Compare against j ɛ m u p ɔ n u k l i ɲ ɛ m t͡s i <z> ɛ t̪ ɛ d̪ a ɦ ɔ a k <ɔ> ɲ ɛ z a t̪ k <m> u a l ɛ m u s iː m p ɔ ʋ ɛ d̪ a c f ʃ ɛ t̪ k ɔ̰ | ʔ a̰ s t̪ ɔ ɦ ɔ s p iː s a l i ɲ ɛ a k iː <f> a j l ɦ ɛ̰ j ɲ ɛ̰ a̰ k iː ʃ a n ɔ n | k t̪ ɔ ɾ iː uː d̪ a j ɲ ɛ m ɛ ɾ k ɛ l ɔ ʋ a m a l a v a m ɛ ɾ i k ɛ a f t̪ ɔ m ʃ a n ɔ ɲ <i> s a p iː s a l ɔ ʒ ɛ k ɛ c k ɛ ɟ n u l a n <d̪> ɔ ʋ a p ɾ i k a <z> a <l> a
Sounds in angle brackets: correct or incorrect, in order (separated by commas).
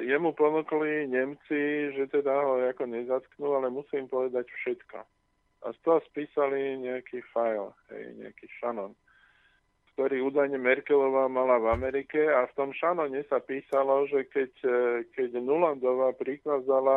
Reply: incorrect, correct, incorrect, correct, incorrect, correct, correct, correct